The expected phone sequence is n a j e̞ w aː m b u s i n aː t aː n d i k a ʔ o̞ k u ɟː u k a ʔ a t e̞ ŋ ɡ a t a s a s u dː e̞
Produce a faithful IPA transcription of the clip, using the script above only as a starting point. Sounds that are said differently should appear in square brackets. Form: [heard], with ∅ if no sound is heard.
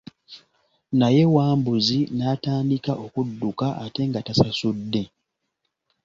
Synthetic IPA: n a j e̞ w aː m b u [z] i n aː t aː n d i k a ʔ o̞ k u [dː] u k a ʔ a t e̞ ŋ ɡ a t a s a s u dː e̞